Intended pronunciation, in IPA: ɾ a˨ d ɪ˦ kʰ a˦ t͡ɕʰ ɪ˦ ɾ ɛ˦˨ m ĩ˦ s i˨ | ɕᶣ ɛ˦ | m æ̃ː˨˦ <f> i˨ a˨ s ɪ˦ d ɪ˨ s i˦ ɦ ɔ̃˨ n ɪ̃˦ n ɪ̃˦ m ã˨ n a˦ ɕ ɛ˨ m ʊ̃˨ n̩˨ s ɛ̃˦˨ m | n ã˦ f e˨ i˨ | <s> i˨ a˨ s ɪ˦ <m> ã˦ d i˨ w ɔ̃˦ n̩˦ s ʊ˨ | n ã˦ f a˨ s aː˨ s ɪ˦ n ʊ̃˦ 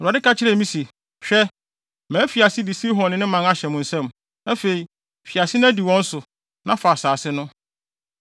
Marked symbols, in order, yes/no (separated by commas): yes, no, no